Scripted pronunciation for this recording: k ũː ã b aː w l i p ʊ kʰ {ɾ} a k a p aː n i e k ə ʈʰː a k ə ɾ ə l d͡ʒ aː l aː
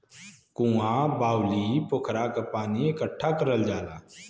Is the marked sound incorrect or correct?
correct